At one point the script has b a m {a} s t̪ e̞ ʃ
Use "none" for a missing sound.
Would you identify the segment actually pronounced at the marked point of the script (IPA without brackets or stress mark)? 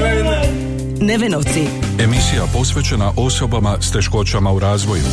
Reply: a